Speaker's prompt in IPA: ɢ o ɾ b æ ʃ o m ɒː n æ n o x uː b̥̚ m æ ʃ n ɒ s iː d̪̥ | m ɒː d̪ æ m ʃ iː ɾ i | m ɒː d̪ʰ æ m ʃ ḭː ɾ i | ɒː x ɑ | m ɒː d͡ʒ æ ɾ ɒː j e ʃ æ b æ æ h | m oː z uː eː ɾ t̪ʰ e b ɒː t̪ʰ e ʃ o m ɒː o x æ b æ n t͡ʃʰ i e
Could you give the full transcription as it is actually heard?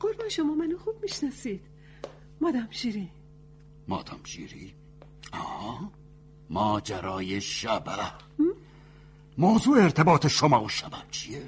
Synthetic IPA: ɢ o ɾ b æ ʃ o m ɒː m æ n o x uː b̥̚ m i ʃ n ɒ s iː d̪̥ | m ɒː d̪ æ m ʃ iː ɾ i | m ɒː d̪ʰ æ m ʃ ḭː ɾ i | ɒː h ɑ | m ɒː d͡ʒ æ ɾ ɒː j e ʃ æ b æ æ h | m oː z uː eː ɾ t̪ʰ e b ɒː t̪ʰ e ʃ o m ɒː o ʃ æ b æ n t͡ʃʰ i e